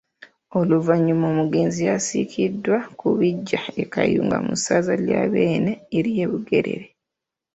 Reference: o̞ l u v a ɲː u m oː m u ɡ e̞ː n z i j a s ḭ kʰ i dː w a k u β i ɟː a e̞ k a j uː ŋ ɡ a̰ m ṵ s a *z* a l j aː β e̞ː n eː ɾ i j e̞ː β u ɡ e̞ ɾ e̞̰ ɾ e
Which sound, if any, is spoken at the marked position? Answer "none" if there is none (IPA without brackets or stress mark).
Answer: z